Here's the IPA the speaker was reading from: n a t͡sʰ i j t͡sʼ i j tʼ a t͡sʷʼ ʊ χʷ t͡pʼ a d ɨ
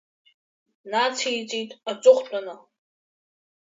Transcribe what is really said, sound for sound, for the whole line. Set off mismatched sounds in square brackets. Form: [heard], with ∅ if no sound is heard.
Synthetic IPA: n a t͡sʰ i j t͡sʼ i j tʼ a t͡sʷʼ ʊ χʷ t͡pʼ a [n] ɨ